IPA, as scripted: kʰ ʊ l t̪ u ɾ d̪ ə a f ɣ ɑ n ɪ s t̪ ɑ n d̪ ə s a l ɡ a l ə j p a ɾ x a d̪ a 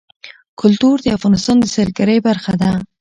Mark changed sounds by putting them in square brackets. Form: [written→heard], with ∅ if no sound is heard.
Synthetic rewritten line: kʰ ʊ l t̪ u ɾ d̪ ə a f ɣ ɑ n ɪ s t̪ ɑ n d̪ ə s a l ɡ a [l→ɾ] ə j [p→b] a ɾ x a d̪ a